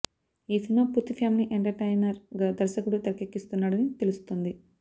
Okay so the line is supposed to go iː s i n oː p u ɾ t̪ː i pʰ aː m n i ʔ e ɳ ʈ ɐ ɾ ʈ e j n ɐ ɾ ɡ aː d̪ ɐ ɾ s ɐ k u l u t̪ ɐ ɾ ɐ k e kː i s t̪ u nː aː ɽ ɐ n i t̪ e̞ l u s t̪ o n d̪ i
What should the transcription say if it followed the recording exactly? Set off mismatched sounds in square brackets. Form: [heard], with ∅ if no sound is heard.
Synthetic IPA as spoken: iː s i n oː p u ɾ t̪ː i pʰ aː m n i ʔ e ɳ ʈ ɐ ɾ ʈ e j n ɐ ɾ ɡ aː d̪ ɐ ɾ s ɐ k u [ɽ] u t̪ ɐ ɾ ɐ k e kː i s t̪ u nː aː ɽ ɐ n i t̪ e̞ l u s t̪ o n d̪ i